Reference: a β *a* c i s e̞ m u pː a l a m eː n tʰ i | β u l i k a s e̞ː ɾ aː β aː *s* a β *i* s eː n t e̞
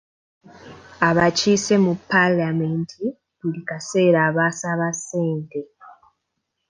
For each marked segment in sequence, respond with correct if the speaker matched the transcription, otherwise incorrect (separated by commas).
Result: correct, correct, incorrect